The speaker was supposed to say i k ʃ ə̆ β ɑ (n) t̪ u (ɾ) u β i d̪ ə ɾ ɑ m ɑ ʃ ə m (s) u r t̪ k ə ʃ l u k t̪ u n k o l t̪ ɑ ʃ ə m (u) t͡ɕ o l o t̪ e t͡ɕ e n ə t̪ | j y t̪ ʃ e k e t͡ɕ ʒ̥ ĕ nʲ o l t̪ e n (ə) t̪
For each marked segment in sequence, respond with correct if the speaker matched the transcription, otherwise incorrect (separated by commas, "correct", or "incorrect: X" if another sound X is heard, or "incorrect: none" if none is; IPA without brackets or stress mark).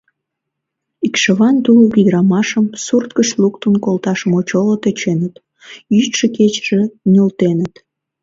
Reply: correct, incorrect: l, correct, incorrect: o, correct